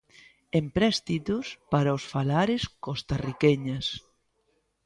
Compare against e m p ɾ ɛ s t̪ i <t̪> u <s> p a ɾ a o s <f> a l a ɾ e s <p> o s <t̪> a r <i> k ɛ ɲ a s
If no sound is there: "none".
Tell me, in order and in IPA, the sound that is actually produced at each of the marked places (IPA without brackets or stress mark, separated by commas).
t̪, s, f, k, t̪, i